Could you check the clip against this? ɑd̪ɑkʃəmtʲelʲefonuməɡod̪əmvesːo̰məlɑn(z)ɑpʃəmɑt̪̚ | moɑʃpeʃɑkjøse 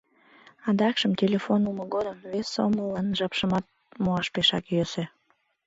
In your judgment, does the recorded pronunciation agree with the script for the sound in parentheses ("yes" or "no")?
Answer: no